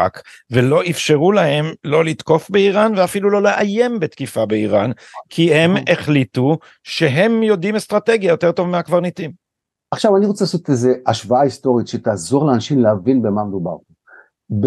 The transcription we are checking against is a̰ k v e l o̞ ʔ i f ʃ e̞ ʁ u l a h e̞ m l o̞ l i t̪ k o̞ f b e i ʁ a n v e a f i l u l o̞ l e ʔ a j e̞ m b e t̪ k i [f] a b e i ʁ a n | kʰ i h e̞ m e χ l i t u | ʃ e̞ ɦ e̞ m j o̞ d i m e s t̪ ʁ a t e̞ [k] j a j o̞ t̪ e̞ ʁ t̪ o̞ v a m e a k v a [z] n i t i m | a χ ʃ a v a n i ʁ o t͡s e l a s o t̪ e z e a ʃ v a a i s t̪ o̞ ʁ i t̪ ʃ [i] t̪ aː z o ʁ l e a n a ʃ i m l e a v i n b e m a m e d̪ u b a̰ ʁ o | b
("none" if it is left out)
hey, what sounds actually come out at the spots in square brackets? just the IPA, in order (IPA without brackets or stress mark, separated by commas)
f, ɡ, ʁ, e